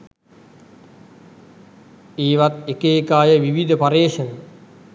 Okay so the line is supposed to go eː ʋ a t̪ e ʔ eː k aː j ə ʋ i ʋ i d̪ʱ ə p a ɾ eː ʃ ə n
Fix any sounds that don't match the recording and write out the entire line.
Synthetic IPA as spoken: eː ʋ a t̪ e k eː k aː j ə ʋ i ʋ i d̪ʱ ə p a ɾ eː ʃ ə n